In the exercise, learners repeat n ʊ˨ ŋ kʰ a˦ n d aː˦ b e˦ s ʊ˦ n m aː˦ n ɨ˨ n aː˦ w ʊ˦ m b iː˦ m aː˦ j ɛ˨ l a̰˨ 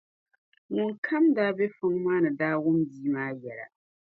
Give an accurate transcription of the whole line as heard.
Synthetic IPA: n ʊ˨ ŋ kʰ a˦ m d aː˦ b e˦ f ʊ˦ ŋ m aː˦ n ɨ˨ d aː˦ w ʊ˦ m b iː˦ m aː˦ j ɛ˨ l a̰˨